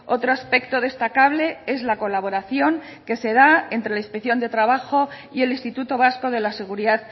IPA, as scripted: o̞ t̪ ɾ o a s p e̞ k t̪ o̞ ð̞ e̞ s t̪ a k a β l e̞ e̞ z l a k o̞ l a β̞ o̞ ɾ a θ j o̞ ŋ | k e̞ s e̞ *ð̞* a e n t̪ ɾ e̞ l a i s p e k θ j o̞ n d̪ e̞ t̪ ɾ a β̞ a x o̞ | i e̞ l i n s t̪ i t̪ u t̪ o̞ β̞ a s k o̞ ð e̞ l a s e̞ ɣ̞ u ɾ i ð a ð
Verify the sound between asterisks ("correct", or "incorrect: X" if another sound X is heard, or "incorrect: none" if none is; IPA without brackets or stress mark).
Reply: correct